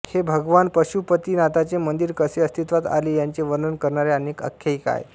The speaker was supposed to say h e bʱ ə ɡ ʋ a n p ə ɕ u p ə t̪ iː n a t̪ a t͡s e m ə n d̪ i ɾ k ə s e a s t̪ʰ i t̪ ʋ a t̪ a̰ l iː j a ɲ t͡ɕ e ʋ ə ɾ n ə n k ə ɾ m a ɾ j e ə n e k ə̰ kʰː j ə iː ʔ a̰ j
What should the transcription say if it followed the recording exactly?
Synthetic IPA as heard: h e bʱ ə ɡ ʋ a n p ə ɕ u p ə t̪ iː n a t̪ a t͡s e m ə n d̪ i ɾ k ə s e ə s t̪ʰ i t̪ ʋ a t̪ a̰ l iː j a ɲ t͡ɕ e ʋ ə ɾ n ə n k ə ɾ ɳ a ɾ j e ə n e k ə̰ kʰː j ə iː k a̰ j